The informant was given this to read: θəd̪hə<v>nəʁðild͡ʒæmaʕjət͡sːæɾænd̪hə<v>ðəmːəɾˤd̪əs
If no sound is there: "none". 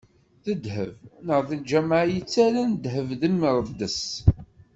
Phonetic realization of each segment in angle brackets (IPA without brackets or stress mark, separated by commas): v, v